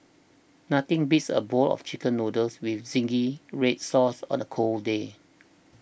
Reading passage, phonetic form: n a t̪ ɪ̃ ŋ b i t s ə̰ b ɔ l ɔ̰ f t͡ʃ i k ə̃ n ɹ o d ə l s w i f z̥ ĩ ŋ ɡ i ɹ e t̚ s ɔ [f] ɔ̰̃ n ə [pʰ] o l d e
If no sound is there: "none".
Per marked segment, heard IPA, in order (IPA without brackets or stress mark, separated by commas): s, kʰ